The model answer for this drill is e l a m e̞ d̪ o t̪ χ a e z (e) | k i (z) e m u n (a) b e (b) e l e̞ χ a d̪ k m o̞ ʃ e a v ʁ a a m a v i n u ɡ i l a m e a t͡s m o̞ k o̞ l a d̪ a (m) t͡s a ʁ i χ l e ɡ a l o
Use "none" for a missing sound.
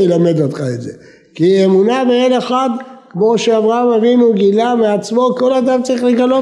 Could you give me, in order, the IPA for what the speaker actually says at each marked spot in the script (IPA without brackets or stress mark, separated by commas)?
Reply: e, none, a, none, m